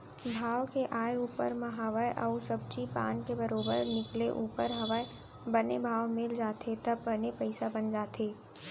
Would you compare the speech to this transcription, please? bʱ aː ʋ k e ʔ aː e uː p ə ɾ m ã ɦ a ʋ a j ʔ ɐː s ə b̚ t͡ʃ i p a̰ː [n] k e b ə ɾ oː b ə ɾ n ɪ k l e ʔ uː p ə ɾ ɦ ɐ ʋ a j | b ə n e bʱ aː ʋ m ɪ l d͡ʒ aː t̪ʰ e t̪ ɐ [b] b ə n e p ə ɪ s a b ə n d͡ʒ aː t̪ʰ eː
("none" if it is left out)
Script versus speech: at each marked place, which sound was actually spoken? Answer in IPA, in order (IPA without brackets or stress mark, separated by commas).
n, b